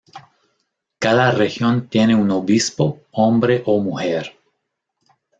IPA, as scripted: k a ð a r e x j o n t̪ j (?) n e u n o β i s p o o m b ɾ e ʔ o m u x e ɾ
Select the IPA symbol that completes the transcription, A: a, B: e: B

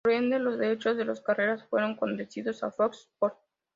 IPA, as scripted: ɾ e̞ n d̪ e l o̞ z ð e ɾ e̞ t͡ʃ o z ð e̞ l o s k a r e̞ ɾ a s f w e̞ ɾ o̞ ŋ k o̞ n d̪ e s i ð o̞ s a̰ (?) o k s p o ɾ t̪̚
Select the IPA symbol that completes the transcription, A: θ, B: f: B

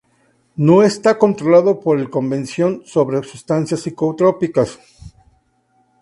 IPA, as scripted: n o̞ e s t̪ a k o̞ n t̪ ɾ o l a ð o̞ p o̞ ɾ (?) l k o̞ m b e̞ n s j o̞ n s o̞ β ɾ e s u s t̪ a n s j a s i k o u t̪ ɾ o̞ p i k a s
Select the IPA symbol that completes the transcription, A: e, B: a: A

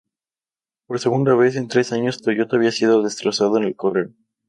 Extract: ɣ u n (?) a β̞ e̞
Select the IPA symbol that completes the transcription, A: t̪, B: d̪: B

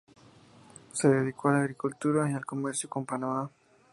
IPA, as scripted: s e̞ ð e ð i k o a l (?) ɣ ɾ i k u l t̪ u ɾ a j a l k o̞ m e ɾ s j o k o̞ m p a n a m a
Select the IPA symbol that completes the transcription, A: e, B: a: B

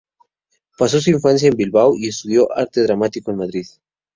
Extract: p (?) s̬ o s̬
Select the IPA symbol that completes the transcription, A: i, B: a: B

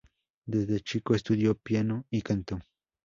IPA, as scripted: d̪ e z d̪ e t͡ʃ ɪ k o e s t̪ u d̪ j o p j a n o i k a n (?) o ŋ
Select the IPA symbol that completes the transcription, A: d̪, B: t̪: B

